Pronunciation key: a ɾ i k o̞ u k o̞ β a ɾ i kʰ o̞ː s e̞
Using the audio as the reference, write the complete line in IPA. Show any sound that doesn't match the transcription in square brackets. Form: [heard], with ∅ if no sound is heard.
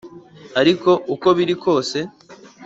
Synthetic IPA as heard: a ɾ i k o̞ u k o̞ β [i] ɾ i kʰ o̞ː s e̞